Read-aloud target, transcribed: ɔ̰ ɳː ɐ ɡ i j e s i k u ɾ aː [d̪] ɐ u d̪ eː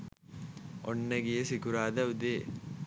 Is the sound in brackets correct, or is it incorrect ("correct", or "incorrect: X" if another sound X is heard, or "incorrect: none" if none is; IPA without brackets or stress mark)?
correct